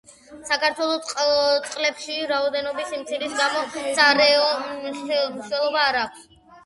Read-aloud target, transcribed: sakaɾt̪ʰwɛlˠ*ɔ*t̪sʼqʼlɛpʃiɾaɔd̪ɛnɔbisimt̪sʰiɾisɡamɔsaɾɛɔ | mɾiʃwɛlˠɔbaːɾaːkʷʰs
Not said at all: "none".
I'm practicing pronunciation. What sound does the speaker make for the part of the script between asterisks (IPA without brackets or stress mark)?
ɔ